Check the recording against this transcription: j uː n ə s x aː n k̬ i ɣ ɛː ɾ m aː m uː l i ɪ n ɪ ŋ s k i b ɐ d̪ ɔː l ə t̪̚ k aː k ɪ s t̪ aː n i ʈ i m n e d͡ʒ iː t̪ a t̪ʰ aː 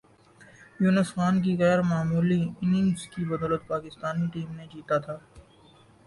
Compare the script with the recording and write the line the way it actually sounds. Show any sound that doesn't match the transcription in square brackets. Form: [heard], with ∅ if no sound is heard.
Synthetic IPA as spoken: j uː n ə s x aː n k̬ i ɣ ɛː ɾ m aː m uː l i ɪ n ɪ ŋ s k i b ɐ d̪ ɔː l ə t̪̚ [p] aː k ɪ s t̪ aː n i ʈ [iː] m n e d͡ʒ iː t̪ a t̪ʰ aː